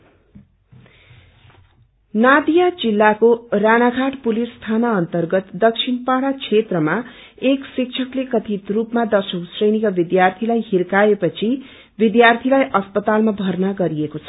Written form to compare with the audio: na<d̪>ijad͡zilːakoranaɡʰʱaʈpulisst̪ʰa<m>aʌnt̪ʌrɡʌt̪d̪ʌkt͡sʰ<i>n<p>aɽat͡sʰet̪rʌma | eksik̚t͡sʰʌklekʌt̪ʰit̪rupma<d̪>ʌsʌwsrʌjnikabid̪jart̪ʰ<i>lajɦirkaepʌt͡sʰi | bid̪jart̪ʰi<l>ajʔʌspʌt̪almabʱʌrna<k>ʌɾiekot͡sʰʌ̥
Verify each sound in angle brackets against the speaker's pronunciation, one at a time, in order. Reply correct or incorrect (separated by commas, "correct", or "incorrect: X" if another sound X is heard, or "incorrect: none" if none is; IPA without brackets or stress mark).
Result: correct, incorrect: n, correct, correct, correct, correct, correct, incorrect: ɡ